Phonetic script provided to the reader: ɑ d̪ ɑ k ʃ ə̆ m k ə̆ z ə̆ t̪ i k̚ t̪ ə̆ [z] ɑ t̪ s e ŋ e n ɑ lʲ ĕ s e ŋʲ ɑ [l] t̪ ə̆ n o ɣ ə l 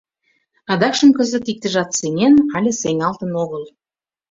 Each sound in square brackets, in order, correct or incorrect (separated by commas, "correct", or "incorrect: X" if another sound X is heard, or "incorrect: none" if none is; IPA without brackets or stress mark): incorrect: ʒ, correct